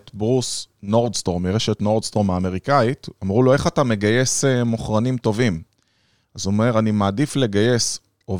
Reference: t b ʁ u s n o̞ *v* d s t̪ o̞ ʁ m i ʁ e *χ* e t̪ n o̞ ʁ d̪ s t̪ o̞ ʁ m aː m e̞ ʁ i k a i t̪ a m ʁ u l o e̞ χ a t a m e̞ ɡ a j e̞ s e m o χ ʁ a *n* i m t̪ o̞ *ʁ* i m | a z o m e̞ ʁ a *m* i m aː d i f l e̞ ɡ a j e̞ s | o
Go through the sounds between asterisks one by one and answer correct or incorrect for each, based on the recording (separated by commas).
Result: incorrect, incorrect, correct, incorrect, incorrect